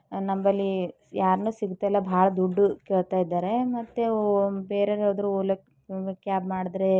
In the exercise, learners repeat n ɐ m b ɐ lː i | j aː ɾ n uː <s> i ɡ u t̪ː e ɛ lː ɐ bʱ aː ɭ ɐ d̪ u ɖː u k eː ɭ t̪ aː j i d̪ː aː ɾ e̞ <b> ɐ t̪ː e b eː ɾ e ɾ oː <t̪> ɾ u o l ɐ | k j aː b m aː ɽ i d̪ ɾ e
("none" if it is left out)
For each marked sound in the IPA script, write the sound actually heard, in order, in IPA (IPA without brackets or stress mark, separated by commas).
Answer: s, m, d̪